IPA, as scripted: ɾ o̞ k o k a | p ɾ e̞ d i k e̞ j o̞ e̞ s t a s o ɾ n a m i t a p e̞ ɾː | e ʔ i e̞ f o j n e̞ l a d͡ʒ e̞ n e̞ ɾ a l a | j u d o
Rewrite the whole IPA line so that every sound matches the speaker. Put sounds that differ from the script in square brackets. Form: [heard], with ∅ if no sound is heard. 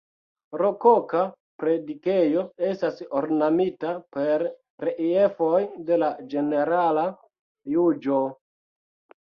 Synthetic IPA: ɾ o̞ k o k a | p ɾ e̞ d i k e̞ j o̞ e̞ s t a s o ɾ n a m i t a p e̞ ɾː | e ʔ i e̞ f o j [d] e̞ l a d͡ʒ e̞ n e̞ ɾ a l a | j u [d͡ʒ] o

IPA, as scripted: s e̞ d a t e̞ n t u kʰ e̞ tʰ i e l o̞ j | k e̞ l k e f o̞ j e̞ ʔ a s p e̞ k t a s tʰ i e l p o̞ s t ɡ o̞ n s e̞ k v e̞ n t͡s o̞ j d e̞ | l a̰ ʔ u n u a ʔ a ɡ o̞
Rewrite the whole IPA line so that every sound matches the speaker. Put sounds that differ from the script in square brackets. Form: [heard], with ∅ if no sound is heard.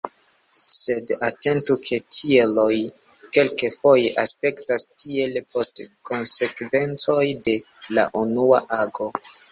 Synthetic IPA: s e̞ d a t e̞ n t u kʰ e̞ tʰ i e l o̞ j | k e̞ l k e f o̞ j e̞ ʔ a s p e̞ k t a s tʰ i e l p o̞ s t [k] o̞ n s e̞ k v e̞ n t͡s o̞ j d e̞ | l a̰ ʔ u n u a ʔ a ɡ o̞

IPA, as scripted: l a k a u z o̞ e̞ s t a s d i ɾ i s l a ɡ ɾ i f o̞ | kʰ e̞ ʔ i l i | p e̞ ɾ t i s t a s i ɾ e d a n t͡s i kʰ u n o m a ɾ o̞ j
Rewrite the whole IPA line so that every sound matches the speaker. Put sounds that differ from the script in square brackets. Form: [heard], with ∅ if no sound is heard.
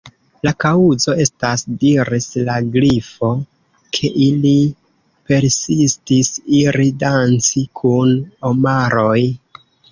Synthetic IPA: l a k a u z o̞ e̞ s t a s d i ɾ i s l a ɡ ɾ i f o̞ | kʰ e̞ ʔ i l i | p e̞ ɾ [s] i s t [i] s i ɾ [i] d a n t͡s i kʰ u n o m a ɾ o̞ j

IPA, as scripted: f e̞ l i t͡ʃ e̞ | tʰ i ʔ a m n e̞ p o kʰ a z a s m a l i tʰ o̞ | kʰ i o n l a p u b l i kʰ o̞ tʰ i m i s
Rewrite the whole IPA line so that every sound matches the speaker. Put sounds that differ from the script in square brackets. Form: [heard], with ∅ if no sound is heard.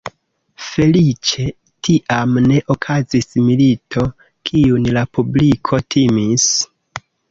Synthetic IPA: f e̞ l i t͡ʃ e̞ | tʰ i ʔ a m n e̞ [ʔ] o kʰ a z [i] s m [i] l i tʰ o̞ | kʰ i [u] n l a p u b l i kʰ o̞ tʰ i m i s

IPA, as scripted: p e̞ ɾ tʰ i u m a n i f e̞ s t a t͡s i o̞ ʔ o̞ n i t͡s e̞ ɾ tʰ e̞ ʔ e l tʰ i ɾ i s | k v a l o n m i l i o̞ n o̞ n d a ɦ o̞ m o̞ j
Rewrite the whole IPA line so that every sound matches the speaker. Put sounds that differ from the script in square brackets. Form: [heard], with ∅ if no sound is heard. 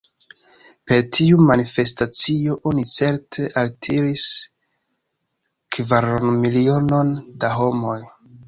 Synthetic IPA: p e̞ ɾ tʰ i u m a n i f e̞ s t a t͡s i o̞ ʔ o̞ n i t͡s e̞ ɾ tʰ e̞ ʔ [a] l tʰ i ɾ i s | k v a [ɾ] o n m i l i o̞ n o̞ n d a ɦ o̞ m o̞ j

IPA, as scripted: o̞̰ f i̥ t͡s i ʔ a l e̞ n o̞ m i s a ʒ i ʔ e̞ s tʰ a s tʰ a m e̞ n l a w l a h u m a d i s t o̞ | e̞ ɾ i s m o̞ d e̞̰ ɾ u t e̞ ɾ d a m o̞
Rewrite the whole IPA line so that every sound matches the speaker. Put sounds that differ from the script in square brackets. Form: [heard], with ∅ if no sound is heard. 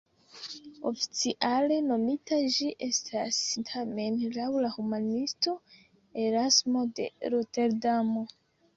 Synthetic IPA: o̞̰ f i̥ t͡s i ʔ a l e̞ n o̞ m i [t] a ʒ i ʔ e̞ s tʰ a s tʰ a m e̞ n l a w l a h u m a [n] i s t o̞ | e̞ ɾ [a] s m o̞ d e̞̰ ɾ [o] t e̞ ɾ d a m o̞

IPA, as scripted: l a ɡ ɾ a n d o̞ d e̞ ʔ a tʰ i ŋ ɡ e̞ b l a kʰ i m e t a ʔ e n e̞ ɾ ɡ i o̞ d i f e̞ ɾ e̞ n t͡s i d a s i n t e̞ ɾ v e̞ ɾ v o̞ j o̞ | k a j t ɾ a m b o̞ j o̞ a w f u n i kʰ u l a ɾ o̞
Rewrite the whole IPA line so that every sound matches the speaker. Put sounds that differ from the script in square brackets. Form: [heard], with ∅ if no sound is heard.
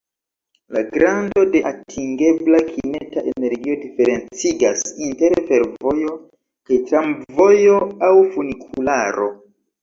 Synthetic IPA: l a ɡ ɾ a n d o̞ d e̞ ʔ a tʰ i ŋ ɡ e̞ b l a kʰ i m e t a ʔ e n e̞ ɾ ɡ i o̞ d i f e̞ ɾ e̞ n t͡s i [ɡ] a s i n t e̞ ɾ [f] e̞ ɾ v o̞ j o̞ | k a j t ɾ a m [v] o̞ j o̞ a w f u n i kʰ u l a ɾ o̞

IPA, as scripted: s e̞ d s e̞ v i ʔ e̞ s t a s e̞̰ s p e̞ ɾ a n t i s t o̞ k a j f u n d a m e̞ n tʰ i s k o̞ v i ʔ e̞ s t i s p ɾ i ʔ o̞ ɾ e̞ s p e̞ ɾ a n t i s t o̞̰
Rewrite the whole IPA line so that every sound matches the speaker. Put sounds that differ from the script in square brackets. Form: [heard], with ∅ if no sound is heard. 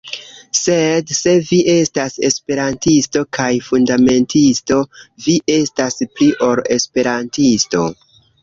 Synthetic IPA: s e̞ d s e̞ v i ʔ e̞ s t a s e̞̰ s p e̞ ɾ a n t i s t o̞ k a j f u n d a m e̞ n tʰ i s [t] o̞ v i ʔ e̞ s t [a] s p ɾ i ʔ o̞ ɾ e̞ s p e̞ ɾ a n t i s t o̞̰

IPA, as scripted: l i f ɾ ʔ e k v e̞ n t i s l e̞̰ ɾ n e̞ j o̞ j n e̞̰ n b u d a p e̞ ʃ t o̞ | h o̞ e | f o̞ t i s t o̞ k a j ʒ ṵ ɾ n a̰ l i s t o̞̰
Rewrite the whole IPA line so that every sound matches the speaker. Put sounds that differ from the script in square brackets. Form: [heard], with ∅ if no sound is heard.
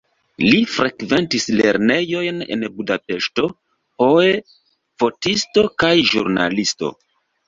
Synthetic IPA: l i f ɾ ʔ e k v e̞ n t i s l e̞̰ ɾ n e̞ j o̞ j n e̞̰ n b u d a p e̞ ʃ t o̞ | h o̞ e | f o̞ t i s t o̞ k a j ʒ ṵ ɾ n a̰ l i s t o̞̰

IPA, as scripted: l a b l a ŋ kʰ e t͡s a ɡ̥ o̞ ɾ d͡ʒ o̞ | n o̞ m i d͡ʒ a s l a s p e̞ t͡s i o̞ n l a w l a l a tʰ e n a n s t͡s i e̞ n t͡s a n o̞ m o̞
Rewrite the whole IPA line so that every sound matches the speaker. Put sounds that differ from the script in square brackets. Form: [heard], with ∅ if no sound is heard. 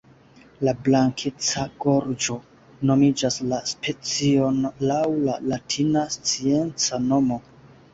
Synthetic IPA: l a b l a ŋ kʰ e t͡s a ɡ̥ o̞ ɾ d͡ʒ o̞ | n o̞ m i d͡ʒ a s l a s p e̞ t͡s i o̞ n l a w l a l a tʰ [i] n a [∅] s t͡s i e̞ n t͡s a n o̞ m o̞

